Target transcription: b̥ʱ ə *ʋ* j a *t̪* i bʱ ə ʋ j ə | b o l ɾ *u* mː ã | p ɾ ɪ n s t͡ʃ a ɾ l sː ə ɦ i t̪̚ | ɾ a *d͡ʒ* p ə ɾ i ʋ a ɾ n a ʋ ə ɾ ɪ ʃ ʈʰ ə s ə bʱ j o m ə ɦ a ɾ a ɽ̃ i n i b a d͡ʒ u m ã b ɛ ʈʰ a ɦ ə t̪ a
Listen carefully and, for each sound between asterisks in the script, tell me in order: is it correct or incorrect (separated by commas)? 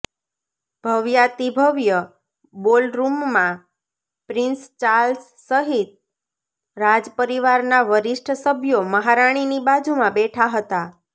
correct, correct, correct, correct